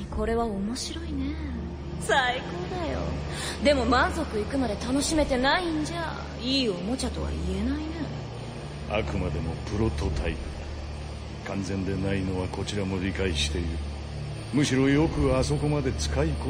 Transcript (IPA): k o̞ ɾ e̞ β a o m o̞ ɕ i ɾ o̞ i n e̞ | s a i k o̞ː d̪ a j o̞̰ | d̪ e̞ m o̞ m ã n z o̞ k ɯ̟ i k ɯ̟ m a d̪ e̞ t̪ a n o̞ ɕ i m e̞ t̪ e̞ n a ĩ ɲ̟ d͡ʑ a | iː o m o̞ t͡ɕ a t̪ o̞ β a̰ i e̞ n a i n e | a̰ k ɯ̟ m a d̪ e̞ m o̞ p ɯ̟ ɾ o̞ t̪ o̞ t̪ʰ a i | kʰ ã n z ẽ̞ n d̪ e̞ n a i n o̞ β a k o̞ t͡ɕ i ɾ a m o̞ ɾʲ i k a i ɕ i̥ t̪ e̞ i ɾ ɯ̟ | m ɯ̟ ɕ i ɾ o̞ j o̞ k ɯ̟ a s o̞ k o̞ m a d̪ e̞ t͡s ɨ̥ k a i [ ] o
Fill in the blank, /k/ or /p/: k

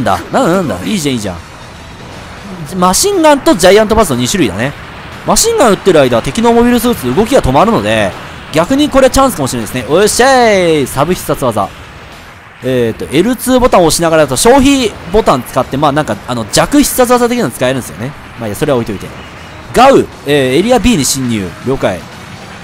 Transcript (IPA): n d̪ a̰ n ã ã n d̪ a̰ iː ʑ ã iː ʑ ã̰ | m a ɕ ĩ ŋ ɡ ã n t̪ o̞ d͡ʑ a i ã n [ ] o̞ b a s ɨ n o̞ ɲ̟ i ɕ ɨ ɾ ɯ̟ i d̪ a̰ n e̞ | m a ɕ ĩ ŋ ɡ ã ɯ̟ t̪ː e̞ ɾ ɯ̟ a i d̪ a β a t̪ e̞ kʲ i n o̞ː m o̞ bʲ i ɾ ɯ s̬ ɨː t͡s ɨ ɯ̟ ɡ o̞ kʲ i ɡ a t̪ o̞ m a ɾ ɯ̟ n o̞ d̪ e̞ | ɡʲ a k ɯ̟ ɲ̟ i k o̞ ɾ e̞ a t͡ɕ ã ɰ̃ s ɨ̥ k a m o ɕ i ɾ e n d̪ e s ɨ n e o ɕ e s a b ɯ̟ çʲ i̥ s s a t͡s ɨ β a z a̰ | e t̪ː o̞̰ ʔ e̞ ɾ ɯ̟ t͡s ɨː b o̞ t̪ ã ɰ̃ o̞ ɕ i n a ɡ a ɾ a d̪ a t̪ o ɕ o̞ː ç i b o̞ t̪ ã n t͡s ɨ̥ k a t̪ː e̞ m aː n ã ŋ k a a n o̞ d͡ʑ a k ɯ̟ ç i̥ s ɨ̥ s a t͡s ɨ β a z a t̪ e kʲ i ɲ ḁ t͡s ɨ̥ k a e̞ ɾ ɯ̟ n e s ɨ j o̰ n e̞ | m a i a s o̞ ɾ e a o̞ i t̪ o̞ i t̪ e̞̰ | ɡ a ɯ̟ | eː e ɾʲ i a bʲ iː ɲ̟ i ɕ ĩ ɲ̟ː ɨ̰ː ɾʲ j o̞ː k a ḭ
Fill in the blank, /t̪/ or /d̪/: t̪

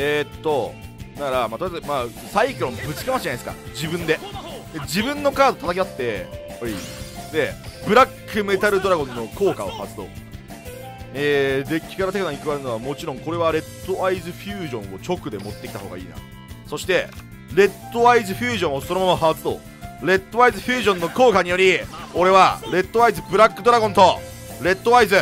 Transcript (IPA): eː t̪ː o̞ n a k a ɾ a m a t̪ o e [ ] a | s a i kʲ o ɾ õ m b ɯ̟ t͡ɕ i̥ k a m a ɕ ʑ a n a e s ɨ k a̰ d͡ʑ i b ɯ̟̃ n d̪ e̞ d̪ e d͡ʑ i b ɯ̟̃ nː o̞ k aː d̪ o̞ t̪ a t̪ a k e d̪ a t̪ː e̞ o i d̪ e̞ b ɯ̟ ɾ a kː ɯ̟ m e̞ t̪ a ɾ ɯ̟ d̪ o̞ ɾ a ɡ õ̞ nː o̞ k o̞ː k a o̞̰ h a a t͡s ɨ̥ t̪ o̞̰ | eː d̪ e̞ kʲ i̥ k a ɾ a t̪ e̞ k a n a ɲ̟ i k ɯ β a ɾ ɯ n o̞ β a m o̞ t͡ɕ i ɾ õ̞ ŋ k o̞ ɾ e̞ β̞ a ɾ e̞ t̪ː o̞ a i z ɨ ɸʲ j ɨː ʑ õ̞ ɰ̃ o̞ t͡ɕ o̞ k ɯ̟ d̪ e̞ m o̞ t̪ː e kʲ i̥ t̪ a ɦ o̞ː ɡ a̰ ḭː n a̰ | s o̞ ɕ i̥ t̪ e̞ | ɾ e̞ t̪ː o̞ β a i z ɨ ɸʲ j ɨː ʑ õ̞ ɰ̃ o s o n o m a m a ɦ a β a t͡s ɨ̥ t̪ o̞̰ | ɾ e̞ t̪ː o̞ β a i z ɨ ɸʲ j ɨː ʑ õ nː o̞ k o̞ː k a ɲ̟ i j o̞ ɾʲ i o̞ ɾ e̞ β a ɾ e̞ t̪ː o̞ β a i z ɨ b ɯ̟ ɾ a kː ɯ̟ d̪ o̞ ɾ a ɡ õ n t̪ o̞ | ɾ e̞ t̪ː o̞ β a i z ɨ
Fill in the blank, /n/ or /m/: m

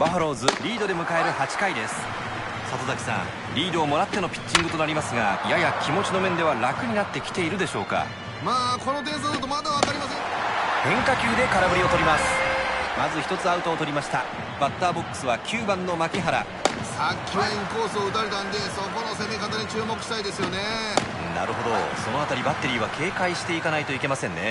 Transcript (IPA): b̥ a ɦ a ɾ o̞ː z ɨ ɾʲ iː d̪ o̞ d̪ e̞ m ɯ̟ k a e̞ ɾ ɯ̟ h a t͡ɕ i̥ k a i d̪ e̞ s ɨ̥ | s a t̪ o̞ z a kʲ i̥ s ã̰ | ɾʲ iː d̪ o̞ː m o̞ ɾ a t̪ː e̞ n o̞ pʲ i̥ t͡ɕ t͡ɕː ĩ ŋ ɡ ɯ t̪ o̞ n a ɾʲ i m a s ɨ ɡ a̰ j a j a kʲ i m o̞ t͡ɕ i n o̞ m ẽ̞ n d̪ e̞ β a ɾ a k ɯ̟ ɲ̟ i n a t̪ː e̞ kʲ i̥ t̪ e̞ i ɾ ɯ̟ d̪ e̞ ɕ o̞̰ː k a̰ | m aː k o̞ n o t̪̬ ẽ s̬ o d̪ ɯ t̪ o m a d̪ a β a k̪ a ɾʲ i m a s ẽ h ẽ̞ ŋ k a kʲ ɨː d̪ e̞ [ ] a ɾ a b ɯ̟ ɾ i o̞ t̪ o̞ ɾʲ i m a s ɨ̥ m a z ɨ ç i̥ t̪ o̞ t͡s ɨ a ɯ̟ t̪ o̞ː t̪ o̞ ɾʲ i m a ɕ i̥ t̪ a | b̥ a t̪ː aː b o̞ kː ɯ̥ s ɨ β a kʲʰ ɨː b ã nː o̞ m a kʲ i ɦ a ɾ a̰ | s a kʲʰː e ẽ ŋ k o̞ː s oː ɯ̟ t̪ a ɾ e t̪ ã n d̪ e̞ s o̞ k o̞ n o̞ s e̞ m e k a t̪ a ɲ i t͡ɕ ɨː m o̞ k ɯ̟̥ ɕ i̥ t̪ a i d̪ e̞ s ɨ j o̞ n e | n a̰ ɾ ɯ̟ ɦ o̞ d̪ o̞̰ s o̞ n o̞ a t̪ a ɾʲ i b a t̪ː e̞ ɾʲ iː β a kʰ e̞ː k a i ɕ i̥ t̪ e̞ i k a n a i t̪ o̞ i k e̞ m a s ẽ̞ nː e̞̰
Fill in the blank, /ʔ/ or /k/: k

